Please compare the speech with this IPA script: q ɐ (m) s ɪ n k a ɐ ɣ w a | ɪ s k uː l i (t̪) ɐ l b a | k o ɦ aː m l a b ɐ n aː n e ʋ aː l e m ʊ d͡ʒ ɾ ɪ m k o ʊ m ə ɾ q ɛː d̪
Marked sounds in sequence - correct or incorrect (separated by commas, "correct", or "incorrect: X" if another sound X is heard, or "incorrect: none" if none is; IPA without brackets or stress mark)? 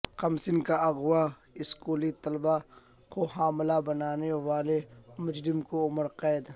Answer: correct, correct